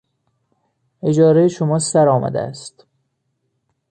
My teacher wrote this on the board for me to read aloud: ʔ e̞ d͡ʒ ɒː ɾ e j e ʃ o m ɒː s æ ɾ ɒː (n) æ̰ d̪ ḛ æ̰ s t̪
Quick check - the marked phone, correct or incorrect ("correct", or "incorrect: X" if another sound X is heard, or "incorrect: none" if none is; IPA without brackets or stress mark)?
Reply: incorrect: m